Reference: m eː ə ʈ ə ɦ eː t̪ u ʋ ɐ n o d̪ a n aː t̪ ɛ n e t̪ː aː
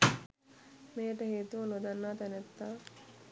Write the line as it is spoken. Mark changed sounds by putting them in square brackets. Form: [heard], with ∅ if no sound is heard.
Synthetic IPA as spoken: m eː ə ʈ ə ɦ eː t̪ u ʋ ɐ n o d̪ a [nː] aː t̪ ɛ n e t̪ː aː

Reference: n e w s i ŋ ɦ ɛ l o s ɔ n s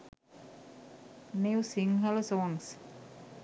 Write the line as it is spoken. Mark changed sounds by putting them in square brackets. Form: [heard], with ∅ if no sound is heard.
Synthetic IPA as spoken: n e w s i ŋ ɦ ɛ l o s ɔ [ŋ] s

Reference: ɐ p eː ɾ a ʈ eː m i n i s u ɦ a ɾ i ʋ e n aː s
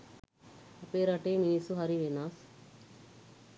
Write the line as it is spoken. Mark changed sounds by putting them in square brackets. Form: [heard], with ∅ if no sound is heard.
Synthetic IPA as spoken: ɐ p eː ɾ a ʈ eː m i n i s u ɦ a ɾ i ʋ e n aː s

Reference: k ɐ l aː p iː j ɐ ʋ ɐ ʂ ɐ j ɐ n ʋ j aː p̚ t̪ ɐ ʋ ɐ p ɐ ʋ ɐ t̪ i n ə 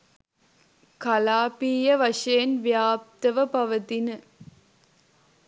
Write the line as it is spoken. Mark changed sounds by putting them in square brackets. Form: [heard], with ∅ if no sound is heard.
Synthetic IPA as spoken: k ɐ l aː p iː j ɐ ʋ ɐ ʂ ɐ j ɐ n ʋ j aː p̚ t̪ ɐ ʋ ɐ p ɐ ʋ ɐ t̪ i n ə

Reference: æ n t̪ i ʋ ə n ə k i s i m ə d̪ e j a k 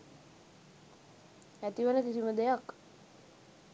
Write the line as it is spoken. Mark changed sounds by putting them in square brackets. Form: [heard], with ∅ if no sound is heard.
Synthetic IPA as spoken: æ [∅] t̪ i ʋ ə n ə k i s i m ə d̪ e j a k

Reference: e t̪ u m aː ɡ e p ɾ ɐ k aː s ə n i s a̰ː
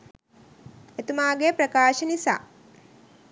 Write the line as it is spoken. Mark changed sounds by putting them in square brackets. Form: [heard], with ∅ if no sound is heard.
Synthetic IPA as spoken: e t̪ u m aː ɡ e p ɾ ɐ k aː [ʃ] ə n i s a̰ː

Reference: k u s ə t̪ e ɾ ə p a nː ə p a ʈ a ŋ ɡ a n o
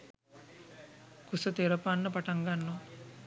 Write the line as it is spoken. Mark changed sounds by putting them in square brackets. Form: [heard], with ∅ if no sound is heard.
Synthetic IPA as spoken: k u s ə t̪ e ɾ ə p a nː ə p a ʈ a ŋ ɡ a [nː] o

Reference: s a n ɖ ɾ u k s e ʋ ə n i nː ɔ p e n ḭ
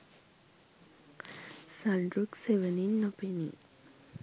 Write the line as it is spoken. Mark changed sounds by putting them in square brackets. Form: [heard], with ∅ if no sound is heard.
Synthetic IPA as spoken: s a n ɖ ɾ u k s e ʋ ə n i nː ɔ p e n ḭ

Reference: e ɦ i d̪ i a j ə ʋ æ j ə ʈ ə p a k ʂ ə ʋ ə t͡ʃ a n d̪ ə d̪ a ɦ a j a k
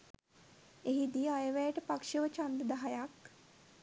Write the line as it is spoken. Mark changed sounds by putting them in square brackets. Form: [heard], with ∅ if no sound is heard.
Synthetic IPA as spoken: e ɦ i d̪ i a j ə ʋ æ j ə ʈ ə p a k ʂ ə ʋ ə t͡ʃ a n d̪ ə d̪ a ɦ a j a k

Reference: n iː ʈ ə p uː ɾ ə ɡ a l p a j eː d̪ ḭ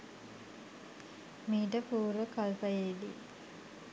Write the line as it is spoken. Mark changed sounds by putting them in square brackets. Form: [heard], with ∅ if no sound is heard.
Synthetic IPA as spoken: [m] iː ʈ ə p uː ɾ ə [k] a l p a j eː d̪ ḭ

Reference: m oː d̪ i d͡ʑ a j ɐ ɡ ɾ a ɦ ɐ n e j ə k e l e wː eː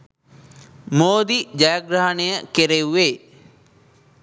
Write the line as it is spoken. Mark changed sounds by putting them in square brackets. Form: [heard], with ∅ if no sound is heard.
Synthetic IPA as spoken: m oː d̪ i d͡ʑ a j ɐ ɡ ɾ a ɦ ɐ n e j ə k e [ɾ] e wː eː

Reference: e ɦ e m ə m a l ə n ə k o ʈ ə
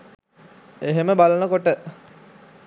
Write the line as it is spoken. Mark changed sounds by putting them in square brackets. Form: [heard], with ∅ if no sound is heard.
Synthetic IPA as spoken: e ɦ e m ə [b] a l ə n ə k o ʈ ə

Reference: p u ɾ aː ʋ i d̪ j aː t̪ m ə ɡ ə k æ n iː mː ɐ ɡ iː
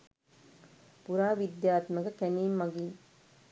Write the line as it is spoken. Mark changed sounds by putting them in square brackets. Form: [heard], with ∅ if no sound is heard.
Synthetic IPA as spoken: p u ɾ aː ʋ i d̪ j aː t̪ m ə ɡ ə k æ n iː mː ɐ ɡ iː

